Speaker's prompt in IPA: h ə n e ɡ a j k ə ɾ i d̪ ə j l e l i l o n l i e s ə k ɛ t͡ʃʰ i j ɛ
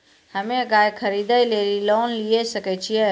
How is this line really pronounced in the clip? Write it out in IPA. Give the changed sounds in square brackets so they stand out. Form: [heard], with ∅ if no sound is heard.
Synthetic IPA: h ə [m] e ɡ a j [kʰ] ə ɾ i d̪ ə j l e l i l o n l i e s ə k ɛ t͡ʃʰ i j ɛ

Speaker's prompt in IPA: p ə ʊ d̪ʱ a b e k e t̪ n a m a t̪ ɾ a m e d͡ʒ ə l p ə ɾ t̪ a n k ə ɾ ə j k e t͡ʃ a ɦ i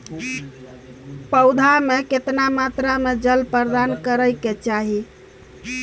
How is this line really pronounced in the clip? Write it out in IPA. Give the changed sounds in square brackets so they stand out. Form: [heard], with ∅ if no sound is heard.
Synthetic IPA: p ə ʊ d̪ʱ a [m] e k e t̪ n a m a t̪ ɾ a m e d͡ʒ ə l p ə ɾ [d̪] a n k ə ɾ ə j k e t͡ʃ a ɦ i

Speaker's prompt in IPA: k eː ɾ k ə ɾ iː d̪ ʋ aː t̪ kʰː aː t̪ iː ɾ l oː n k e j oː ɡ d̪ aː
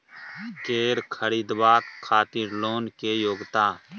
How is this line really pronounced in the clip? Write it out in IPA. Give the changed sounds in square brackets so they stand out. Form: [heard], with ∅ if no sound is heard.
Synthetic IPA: k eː ɾ [kʰ] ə ɾ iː d̪ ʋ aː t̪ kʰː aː t̪ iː ɾ l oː n k e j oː ɡ [t̪] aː

